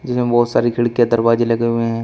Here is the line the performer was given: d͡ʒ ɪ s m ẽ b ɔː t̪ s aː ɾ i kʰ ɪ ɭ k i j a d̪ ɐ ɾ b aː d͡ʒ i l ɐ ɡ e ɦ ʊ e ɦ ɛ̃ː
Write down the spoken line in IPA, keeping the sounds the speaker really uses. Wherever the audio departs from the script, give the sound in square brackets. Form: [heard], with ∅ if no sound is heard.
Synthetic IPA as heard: d͡ʒ ɪ s m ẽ b ɔː t̪ s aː ɾ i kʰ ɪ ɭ k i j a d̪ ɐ ɾ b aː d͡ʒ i l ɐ ɡ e ɦ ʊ e ɦ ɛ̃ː